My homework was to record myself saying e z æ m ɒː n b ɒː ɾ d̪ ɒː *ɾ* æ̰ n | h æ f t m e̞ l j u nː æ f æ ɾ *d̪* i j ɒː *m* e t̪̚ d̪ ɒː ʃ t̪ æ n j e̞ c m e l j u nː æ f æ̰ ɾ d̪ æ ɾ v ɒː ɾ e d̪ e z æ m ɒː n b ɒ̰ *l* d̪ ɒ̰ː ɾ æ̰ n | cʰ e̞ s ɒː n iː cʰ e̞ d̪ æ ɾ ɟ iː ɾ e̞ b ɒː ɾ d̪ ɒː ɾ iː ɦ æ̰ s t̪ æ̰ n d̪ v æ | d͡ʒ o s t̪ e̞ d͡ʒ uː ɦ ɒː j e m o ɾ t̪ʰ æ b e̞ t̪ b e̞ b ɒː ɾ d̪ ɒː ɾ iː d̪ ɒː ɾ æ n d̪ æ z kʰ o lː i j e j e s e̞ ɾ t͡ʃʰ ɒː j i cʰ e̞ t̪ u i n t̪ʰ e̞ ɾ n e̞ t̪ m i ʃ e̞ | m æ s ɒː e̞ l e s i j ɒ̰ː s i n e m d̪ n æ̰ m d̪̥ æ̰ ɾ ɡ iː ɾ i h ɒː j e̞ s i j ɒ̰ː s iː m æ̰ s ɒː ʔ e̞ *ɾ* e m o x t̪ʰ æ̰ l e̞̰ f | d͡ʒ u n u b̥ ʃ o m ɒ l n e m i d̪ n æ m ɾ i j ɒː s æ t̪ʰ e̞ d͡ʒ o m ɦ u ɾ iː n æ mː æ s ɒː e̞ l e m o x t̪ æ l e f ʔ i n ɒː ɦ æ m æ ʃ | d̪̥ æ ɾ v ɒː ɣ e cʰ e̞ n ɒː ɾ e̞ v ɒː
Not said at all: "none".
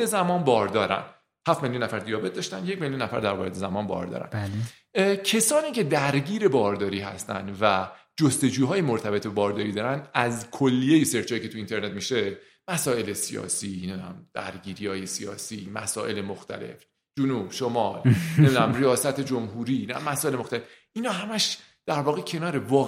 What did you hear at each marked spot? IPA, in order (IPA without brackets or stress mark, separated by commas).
ɾ, d̪, b, ɾ, l